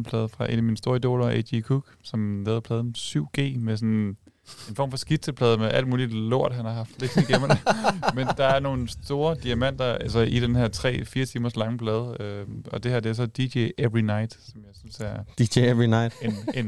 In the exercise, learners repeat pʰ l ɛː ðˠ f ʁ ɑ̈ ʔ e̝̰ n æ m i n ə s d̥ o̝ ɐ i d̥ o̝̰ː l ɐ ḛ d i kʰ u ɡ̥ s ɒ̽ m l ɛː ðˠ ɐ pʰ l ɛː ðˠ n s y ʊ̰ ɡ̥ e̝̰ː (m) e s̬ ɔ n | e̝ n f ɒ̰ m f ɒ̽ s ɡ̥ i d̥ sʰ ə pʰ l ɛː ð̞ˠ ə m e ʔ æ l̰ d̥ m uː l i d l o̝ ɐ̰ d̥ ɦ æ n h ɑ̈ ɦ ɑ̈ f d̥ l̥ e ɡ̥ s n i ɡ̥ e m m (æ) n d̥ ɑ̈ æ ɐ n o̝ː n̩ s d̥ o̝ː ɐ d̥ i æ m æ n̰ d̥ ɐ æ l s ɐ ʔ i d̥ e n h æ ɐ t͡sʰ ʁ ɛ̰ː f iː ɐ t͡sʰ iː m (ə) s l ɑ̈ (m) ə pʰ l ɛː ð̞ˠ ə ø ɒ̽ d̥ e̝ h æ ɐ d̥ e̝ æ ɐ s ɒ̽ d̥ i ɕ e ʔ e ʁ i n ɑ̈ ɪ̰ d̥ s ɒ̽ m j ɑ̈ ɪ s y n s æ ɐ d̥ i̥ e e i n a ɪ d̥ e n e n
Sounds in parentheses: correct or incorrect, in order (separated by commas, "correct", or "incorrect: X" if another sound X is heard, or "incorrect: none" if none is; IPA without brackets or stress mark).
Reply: correct, incorrect: e, incorrect: ɐ, incorrect: ŋ